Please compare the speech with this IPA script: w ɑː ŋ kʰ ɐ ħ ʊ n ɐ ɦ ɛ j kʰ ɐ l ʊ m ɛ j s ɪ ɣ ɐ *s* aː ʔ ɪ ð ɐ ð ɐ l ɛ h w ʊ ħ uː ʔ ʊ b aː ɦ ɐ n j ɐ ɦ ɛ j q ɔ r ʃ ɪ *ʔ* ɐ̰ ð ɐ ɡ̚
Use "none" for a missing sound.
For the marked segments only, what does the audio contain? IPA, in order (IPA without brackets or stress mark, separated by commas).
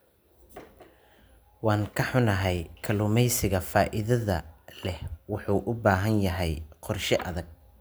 f, ʔ